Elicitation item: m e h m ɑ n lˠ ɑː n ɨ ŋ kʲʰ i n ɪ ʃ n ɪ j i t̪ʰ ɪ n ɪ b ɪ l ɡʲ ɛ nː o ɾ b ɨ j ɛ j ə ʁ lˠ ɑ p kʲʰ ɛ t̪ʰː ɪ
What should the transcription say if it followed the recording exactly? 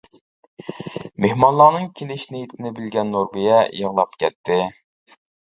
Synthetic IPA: m e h m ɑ n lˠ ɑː n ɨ ŋ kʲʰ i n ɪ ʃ n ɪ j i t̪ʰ ɪ n ɪ b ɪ l ɡʲ ɛ nː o ɾ b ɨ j ɛ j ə ʁ lˠ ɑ p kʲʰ ɛ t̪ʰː ɪ